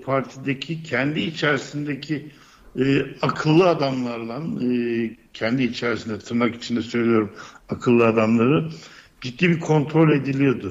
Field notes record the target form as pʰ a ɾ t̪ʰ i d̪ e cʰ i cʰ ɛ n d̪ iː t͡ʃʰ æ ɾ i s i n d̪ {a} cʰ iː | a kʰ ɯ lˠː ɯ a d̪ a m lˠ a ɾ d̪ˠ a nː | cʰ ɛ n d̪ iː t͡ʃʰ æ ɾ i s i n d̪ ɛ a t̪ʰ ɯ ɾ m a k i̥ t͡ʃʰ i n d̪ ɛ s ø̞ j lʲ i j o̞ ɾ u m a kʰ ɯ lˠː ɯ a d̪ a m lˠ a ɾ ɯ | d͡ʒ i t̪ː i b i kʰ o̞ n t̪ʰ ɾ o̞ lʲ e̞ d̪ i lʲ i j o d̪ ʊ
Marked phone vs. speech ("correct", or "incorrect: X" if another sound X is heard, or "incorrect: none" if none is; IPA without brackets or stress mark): incorrect: e